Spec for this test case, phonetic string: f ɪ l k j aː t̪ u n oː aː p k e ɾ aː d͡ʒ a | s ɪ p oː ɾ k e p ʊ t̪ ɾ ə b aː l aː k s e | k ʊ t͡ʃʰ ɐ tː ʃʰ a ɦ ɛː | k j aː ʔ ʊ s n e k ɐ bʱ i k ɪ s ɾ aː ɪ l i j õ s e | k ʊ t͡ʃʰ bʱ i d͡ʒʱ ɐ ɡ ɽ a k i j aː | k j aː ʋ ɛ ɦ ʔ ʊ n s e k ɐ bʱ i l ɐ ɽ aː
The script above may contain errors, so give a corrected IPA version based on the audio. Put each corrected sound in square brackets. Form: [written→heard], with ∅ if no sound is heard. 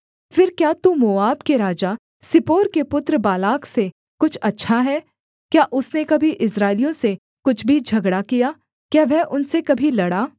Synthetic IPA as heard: f ɪ [l→ɾ] k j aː t̪ u [n→m] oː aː [p→b] k e ɾ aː d͡ʒ a | s ɪ p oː ɾ k e p ʊ t̪ ɾ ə b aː l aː k s e | k ʊ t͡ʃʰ ɐ tː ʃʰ a ɦ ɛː | k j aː ʔ ʊ s n e k ɐ bʱ i [k→ʔ] ɪ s ɾ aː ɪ l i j õ s e | k ʊ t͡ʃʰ bʱ i d͡ʒʱ ɐ ɡ ɽ a k i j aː | k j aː ʋ ɛ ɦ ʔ ʊ n s e k ɐ bʱ i l ɐ ɽ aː